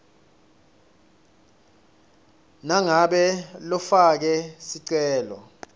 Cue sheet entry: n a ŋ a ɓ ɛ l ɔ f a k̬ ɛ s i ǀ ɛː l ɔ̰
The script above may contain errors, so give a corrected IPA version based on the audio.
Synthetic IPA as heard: n a ŋ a ɓ ɛ l ɔ f a k̬ ɛ s i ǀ ɛː l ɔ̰